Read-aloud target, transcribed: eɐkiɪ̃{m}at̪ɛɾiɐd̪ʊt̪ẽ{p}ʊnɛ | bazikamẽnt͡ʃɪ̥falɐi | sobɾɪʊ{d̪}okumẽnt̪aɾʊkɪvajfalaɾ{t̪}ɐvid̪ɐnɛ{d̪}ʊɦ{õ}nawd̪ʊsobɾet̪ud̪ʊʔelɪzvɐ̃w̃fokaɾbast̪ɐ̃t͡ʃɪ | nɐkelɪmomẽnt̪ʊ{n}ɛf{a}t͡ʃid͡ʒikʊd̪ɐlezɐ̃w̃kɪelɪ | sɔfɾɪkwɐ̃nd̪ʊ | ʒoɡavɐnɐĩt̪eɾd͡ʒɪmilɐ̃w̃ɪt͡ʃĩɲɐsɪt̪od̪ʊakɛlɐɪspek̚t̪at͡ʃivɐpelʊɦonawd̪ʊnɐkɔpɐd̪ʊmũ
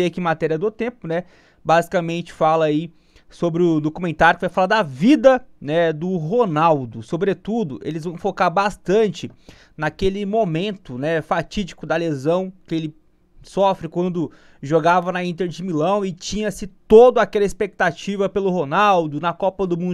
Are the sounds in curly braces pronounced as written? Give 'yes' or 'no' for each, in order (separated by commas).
yes, yes, yes, no, yes, no, yes, yes